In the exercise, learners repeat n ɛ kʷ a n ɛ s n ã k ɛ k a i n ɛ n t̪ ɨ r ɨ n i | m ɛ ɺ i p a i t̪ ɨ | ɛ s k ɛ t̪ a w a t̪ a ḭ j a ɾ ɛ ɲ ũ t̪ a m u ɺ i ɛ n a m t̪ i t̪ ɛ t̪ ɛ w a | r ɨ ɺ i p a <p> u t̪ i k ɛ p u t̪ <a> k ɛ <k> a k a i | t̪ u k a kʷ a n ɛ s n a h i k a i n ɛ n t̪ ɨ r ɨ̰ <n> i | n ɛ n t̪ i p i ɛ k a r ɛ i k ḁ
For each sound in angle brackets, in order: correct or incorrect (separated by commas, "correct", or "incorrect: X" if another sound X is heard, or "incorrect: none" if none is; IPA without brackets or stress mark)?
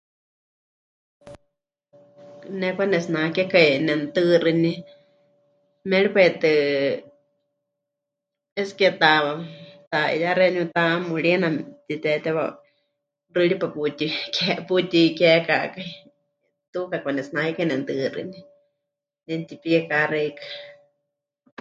correct, incorrect: i, correct, correct